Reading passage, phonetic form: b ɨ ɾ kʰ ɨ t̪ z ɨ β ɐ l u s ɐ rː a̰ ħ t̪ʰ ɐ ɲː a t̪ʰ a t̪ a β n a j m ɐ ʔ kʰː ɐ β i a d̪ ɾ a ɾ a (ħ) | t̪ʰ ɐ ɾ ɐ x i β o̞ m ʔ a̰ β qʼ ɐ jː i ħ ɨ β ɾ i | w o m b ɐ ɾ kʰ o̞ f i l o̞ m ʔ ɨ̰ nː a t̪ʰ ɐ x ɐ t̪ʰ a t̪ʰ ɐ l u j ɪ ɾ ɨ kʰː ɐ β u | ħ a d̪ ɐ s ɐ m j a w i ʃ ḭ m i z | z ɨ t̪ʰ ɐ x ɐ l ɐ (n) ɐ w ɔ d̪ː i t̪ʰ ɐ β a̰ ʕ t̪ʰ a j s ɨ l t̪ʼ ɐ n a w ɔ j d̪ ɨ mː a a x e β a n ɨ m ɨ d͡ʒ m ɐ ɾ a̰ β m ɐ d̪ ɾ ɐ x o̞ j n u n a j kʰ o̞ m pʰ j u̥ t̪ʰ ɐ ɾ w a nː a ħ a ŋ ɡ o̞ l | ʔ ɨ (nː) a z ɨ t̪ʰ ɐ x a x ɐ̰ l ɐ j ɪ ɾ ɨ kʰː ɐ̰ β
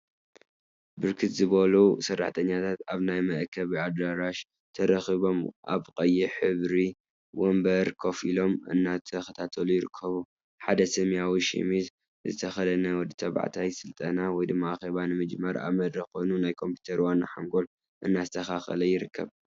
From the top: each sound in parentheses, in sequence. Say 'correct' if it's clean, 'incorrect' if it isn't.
incorrect, correct, correct

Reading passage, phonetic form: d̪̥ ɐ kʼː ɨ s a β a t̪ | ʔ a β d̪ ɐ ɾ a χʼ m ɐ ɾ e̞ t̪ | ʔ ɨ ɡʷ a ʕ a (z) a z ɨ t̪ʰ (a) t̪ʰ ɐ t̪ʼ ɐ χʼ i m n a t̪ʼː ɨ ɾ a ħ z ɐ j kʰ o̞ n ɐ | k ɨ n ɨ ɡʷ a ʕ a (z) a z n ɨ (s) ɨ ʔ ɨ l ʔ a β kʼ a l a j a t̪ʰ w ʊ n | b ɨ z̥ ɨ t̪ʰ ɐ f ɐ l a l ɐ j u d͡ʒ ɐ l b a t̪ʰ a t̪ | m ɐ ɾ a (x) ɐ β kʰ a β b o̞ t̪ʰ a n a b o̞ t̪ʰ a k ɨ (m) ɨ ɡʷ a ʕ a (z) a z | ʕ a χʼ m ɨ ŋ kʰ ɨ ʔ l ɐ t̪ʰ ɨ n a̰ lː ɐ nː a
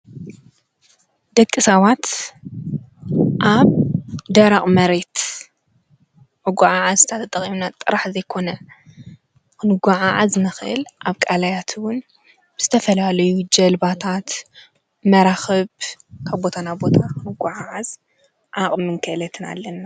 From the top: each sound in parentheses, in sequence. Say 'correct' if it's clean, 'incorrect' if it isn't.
incorrect, correct, incorrect, incorrect, correct, incorrect, incorrect

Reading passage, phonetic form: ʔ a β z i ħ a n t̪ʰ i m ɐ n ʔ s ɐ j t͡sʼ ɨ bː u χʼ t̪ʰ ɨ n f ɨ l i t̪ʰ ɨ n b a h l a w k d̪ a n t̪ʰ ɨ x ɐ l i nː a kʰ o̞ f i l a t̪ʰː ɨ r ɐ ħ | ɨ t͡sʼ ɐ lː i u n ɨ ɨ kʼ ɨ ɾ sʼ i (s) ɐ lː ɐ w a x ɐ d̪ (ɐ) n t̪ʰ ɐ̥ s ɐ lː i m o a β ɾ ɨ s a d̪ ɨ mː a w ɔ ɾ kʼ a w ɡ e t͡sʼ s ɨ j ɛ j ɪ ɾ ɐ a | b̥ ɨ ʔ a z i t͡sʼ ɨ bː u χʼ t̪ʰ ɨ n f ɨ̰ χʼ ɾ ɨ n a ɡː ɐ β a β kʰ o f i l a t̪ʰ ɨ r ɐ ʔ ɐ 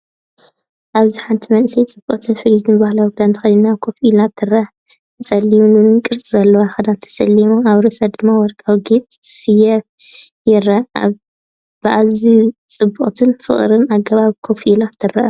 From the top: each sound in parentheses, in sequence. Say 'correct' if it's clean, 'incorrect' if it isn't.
incorrect, incorrect

